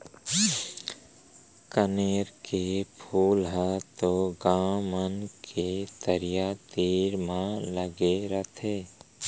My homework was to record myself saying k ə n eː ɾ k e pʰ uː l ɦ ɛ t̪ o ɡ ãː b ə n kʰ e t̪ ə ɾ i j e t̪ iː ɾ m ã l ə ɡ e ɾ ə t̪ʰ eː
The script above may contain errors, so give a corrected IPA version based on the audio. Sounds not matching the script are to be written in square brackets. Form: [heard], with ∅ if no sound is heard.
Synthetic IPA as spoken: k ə n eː ɾ k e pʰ uː l ɦ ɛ t̪ o ɡ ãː [m] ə n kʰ e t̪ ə ɾ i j [a] t̪ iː ɾ m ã l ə ɡ e ɾ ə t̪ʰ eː